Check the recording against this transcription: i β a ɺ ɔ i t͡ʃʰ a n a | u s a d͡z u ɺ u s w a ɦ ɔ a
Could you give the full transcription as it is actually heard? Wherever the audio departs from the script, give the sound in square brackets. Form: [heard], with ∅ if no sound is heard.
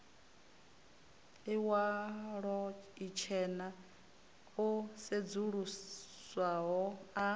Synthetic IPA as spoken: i [w] a ɺ ɔ i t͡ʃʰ [ɛ] n a | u s [e] d͡z u ɺ u s w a ɦ ɔ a